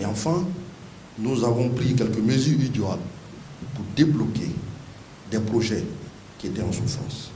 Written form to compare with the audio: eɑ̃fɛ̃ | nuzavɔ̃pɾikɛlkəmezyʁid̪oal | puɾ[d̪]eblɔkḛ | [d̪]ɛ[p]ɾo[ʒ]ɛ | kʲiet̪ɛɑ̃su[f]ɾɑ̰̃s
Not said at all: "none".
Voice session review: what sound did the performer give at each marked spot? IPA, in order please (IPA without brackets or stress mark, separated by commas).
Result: d̪, d̪, p, ʒ, f